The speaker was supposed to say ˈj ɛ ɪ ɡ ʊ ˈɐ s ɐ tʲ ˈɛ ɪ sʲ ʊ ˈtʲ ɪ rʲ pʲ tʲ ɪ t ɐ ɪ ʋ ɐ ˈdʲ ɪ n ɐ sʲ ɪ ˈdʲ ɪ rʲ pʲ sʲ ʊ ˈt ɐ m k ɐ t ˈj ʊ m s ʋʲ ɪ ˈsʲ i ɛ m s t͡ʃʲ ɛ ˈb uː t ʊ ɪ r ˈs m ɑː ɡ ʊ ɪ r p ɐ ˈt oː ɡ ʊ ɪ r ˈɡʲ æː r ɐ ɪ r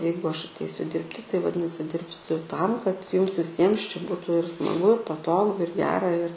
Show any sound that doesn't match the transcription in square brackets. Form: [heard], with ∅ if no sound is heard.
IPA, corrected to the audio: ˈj ɛ ɪ ɡ ʊ ˈɐ [ʃ] ɐ tʲ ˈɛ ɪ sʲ ʊ [ˈdʲ] ɪ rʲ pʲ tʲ ɪ t ɐ ɪ ʋ ɐ ˈdʲ ɪ n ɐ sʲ ɪ ˈdʲ ɪ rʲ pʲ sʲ ʊ ˈt ɐ m k ɐ t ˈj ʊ m s ʋʲ ɪ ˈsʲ i ɛ m s t͡ʃʲ ɛ ˈb uː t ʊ ɪ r ˈs m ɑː ɡ ʊ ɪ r p ɐ ˈt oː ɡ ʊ ɪ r ˈɡʲ æː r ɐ ɪ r